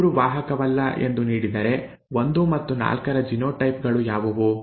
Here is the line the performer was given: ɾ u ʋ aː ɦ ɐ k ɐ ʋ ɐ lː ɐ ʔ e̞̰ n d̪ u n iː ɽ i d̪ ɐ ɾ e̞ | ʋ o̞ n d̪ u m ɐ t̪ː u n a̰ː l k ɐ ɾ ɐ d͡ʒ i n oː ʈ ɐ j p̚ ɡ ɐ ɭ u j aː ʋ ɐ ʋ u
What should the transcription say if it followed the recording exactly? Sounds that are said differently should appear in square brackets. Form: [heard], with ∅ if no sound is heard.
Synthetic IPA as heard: ɾ u ʋ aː ɦ ɐ k ɐ ʋ ɐ lː ɐ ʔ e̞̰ n d̪ u n iː ɽ i d̪ ɐ ɾ e̞ | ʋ o̞ n d̪ u m ɐ t̪ː u n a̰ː l k ɐ ɾ ɐ d͡ʒ i n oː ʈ ɐ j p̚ ɡ ɐ ɭ u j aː ʋ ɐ ʋ u